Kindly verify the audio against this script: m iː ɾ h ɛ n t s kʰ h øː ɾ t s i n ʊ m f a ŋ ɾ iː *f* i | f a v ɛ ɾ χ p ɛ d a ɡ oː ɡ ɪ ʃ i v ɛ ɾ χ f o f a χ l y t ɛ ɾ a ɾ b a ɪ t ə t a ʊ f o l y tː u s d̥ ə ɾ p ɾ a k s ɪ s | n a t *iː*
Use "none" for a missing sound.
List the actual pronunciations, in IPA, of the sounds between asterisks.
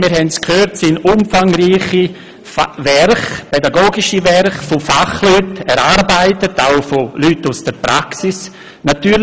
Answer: χ, yː

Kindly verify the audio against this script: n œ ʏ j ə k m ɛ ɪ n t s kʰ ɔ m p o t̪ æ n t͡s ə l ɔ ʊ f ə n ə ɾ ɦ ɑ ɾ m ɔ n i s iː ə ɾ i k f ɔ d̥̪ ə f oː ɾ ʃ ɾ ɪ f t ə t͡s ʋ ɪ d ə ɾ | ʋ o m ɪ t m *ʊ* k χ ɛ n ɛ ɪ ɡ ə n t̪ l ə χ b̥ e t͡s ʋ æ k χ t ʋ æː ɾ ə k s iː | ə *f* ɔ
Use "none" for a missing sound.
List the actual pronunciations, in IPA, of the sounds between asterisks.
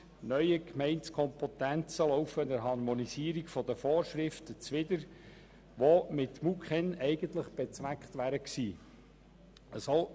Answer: u, s

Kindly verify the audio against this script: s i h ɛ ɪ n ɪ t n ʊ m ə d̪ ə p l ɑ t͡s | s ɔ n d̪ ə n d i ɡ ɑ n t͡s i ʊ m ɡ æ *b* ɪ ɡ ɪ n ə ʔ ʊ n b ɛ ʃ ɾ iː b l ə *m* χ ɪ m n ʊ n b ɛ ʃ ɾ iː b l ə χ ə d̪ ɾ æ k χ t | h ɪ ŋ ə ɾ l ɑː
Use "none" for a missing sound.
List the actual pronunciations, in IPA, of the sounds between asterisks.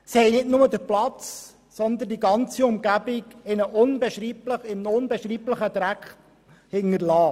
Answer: b, none

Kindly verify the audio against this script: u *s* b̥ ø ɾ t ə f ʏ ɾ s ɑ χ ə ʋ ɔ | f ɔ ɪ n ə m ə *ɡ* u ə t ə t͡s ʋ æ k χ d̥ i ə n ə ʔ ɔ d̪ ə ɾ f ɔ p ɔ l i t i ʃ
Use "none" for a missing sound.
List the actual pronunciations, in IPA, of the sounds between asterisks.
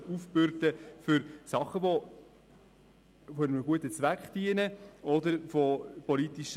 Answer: f, ɡ

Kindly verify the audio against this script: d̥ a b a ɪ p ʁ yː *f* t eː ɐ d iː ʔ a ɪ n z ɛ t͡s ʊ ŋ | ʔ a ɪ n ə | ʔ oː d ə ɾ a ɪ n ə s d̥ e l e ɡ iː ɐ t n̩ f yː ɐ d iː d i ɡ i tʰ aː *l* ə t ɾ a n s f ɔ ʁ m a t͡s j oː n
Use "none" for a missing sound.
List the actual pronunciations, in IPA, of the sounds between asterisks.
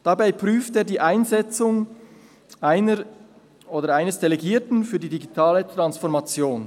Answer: f, l

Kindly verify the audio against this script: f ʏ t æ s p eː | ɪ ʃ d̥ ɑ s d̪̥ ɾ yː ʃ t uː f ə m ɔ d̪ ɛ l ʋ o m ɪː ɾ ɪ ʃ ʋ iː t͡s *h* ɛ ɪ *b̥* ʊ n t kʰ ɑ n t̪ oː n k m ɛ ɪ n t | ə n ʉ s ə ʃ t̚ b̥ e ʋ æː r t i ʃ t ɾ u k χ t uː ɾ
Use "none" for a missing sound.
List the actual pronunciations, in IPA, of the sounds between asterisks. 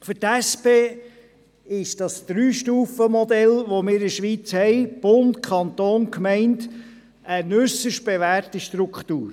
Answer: h, b̥

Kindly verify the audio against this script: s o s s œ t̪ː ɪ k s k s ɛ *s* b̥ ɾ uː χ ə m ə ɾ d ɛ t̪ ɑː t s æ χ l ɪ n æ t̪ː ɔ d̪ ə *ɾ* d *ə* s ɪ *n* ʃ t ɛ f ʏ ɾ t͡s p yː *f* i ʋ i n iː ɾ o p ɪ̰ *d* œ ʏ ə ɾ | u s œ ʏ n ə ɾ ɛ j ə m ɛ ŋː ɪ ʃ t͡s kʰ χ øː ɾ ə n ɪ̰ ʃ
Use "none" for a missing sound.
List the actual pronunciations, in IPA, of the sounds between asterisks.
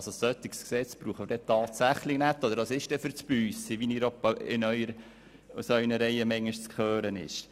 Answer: t͡s, ɾ, ɑ, none, s, n

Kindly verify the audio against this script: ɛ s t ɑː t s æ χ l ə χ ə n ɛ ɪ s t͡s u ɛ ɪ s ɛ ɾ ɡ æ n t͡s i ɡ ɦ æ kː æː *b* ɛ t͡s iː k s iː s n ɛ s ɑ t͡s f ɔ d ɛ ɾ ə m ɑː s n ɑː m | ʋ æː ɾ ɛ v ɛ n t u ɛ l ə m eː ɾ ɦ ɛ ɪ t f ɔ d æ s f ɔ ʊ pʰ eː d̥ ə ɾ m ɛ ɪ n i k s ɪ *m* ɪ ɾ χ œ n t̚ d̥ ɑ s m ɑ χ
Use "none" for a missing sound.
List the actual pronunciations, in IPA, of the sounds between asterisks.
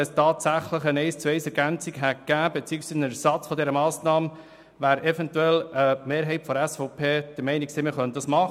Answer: b, m

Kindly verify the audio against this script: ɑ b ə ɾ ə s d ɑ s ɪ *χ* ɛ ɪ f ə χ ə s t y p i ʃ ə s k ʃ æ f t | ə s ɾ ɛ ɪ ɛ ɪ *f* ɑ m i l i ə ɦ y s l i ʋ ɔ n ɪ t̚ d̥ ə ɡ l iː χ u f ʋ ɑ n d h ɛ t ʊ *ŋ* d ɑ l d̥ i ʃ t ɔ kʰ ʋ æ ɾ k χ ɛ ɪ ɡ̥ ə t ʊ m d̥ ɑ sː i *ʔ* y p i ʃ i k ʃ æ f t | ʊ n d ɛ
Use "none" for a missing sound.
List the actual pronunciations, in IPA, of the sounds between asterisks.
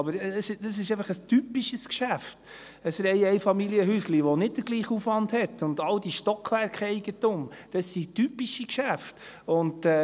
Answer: ʃ, f, n, t

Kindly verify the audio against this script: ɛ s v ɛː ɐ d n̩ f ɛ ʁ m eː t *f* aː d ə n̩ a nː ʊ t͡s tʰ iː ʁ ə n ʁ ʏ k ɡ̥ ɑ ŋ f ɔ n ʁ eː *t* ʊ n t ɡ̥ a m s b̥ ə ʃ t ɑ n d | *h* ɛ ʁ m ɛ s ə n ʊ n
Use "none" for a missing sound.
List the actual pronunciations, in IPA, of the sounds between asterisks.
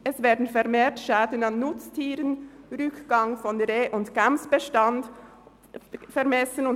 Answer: ʃ, ʔ, f

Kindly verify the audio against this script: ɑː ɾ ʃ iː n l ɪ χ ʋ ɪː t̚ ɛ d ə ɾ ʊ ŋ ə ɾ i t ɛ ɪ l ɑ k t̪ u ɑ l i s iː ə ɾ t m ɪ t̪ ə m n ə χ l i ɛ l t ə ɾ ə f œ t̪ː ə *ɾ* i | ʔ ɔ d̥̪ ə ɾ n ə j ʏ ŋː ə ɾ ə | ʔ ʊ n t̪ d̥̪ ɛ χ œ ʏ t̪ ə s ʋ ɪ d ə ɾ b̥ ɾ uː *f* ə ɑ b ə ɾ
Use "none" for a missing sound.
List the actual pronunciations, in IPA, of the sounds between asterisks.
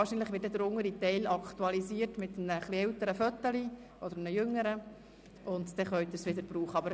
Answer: l, χ

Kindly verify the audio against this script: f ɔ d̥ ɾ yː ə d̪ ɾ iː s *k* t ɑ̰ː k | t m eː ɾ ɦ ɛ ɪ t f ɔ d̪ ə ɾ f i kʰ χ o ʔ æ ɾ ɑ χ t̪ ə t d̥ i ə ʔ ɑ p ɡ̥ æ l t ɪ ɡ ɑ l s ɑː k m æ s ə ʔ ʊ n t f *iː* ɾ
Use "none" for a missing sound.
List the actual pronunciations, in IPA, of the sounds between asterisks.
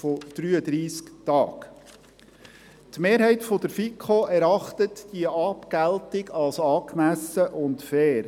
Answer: k, ɛː

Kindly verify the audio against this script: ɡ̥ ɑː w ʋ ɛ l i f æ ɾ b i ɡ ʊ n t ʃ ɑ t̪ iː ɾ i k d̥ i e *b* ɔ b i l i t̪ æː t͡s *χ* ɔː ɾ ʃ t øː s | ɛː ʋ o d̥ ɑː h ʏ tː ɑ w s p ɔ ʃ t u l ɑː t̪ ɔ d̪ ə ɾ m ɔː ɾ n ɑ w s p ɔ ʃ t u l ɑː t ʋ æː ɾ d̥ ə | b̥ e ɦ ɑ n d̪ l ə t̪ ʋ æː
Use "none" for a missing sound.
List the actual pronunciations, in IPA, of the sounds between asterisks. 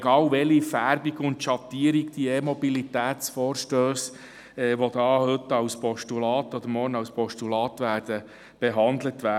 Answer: m, f

